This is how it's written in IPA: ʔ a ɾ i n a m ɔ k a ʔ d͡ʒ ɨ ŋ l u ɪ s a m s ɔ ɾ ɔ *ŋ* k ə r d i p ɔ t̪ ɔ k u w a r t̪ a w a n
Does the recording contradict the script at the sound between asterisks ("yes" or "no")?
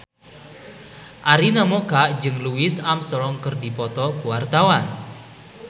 no